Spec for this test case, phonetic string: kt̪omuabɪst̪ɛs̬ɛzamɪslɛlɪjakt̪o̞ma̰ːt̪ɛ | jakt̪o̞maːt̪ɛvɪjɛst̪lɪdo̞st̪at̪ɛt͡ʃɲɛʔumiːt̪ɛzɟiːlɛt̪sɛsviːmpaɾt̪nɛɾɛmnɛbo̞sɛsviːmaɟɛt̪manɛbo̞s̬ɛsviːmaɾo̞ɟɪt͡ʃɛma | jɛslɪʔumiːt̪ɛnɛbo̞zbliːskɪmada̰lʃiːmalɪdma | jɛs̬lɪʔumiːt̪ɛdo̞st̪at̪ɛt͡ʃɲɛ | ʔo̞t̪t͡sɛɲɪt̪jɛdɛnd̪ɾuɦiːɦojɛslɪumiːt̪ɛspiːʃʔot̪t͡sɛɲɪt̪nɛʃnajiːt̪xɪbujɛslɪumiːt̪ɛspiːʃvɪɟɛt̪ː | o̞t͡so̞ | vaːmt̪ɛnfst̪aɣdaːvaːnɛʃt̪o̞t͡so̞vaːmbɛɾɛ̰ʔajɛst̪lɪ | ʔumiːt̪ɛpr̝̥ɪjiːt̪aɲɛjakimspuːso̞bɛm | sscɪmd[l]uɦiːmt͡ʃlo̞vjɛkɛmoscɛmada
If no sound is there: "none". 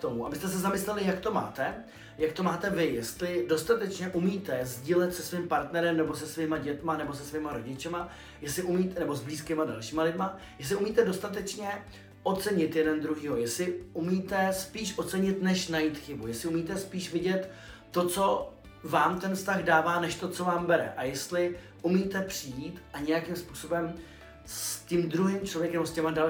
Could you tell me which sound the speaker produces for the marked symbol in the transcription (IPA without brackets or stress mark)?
ɾ